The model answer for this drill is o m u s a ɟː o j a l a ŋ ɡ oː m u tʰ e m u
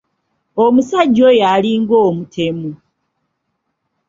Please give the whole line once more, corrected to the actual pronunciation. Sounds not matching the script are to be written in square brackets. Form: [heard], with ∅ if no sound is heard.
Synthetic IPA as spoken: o m u s a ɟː o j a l [i] ŋ ɡ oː m u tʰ e m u